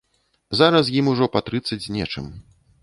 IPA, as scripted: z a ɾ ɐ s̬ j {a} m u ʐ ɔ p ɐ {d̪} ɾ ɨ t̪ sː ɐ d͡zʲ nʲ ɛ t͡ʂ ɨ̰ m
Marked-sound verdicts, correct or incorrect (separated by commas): incorrect, incorrect